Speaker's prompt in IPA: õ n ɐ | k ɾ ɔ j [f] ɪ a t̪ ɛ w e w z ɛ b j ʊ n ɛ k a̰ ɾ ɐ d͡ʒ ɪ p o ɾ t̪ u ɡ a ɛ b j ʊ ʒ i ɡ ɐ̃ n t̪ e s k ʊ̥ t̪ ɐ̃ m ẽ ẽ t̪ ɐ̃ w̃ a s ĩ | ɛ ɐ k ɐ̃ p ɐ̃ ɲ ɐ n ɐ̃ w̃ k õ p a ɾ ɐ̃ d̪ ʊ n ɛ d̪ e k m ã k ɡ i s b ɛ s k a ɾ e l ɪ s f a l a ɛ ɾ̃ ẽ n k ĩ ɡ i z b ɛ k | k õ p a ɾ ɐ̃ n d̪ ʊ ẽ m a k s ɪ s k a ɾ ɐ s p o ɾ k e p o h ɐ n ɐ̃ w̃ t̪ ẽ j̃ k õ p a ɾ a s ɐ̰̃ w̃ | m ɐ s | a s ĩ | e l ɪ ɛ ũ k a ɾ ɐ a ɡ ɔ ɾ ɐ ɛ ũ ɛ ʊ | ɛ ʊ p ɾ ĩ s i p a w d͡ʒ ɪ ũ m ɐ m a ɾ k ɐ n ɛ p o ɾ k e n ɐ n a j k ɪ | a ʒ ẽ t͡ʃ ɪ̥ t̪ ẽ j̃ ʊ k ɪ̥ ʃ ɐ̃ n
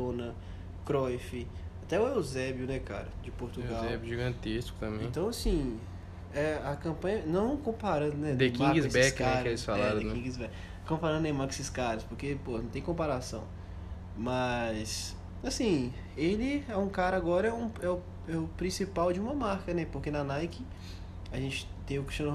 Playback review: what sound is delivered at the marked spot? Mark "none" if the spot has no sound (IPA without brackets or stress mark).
f